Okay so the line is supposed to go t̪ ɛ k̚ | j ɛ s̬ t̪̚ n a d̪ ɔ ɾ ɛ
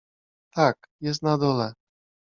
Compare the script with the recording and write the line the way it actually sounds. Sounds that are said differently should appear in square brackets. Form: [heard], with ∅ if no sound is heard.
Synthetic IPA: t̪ [a] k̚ | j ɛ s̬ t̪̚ n a d̪ ɔ [l] ɛ